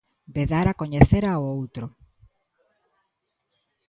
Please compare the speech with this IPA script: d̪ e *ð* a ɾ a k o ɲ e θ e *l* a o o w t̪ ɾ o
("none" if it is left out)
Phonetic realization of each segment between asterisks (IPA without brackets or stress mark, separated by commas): ð, ɾ